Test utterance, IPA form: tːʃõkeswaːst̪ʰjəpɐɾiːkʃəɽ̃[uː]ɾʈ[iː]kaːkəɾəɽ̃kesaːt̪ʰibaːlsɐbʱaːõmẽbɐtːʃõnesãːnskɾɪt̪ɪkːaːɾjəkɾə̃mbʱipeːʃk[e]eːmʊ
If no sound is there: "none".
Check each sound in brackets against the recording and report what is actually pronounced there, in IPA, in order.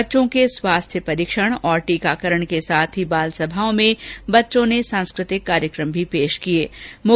ɔː, iː, i

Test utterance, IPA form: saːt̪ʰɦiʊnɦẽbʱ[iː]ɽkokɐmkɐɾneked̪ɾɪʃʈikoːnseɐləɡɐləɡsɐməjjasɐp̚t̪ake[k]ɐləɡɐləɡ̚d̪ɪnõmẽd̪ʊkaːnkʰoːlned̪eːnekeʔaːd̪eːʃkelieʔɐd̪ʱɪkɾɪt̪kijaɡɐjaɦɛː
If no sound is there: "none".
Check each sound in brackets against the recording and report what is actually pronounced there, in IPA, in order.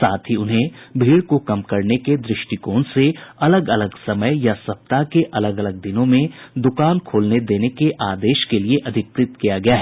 iː, ʔ

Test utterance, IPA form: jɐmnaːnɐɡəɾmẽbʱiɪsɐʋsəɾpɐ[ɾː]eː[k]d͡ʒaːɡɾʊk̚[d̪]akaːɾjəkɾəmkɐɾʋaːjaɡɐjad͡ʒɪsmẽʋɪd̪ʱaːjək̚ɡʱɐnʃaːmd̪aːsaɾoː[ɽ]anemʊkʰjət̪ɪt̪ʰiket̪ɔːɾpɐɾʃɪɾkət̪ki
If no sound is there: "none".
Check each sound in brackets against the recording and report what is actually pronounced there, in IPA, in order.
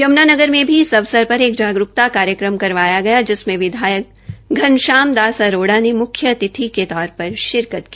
ɾ, k, t̪, ɽ

